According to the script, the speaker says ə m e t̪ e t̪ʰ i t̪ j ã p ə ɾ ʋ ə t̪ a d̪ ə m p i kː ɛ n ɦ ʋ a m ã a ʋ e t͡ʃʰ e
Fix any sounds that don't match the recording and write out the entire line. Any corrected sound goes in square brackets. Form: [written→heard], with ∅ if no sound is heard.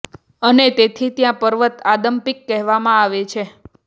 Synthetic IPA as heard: ə [m→n] e t̪ e t̪ʰ i t̪ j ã p ə ɾ ʋ ə t̪ a d̪ ə m p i kː ɛ [n→∅] ɦ ʋ a m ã a ʋ e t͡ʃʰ e